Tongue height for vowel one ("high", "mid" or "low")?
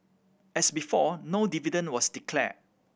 mid